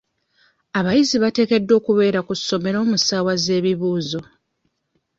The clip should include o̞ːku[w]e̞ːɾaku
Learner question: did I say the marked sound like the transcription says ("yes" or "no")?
no